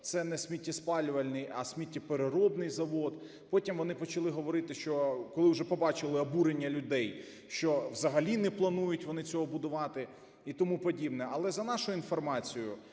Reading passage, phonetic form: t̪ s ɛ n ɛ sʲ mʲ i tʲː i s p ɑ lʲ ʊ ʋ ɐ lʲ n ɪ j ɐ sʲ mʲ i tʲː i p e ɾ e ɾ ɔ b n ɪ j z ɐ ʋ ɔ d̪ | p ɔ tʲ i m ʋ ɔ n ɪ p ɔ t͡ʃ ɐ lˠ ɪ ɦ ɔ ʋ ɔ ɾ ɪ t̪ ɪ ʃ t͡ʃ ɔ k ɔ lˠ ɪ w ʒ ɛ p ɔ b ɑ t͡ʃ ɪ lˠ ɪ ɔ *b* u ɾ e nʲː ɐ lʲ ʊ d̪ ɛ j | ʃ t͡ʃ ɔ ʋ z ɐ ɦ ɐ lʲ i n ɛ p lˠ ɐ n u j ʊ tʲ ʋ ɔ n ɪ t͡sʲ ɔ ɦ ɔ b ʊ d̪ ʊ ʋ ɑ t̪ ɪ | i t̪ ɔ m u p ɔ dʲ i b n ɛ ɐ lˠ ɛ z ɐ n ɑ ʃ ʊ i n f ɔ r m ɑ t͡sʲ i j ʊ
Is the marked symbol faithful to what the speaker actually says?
yes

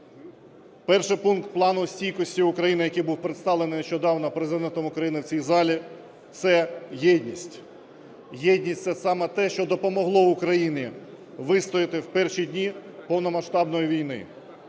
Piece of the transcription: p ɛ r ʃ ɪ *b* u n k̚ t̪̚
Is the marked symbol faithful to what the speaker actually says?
no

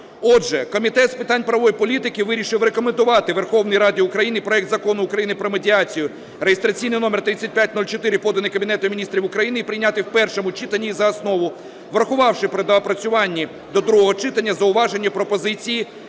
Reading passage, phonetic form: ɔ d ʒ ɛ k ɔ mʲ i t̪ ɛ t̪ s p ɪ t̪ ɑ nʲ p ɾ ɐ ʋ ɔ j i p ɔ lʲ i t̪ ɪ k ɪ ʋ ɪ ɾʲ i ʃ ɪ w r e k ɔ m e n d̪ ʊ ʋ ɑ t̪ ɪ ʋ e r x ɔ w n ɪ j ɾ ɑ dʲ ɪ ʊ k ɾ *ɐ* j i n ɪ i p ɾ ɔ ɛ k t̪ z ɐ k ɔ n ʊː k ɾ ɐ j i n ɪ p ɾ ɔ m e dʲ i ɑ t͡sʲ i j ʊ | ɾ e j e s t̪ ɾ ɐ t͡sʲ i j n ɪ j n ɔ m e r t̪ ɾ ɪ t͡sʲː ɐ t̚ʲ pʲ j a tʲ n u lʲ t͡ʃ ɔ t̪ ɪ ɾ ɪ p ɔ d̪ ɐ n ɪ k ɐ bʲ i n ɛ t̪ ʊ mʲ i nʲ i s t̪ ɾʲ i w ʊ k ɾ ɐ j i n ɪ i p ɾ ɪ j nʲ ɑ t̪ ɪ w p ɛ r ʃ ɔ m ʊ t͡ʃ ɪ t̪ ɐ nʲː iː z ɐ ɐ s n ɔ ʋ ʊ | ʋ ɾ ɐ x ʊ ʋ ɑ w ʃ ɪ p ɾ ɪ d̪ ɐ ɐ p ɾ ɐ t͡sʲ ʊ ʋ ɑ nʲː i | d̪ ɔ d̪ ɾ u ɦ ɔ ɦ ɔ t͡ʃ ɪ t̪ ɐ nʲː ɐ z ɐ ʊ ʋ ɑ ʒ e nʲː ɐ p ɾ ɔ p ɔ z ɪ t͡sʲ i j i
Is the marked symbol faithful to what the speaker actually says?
yes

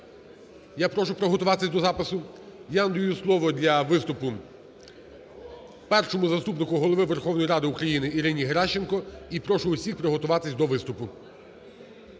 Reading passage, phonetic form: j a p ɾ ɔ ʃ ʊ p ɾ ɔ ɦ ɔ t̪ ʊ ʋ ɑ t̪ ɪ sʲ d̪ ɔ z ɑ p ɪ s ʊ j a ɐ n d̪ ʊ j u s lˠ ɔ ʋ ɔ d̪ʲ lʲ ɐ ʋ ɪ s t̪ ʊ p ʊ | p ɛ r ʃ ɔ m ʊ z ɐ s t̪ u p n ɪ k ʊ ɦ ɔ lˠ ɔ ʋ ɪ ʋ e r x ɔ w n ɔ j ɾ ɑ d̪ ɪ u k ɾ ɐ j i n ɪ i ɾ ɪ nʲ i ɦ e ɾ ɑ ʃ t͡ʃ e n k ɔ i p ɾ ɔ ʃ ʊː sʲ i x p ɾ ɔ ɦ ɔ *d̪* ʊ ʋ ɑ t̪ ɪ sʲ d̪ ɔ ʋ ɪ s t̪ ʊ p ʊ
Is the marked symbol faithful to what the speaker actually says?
no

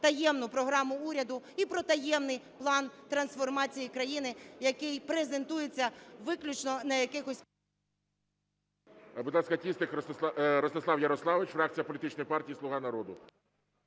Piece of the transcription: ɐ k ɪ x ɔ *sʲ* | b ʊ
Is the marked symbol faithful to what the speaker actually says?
yes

